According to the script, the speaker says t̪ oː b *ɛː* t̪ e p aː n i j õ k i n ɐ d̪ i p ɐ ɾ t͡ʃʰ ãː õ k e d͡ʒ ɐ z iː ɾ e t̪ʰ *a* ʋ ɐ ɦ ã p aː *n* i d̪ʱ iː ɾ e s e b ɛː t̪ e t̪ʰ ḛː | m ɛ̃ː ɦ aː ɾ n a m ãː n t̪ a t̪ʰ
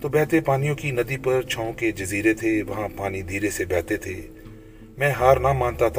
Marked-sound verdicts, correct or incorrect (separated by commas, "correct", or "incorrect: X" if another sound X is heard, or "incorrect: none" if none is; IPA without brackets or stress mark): correct, incorrect: e, correct